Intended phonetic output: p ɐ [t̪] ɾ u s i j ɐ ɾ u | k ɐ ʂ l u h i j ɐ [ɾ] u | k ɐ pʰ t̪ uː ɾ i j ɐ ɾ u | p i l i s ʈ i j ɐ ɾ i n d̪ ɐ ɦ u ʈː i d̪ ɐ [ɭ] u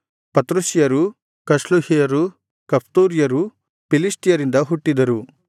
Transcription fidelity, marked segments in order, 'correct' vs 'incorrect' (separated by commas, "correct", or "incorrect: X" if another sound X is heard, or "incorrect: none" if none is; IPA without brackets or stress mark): correct, correct, incorrect: ɾ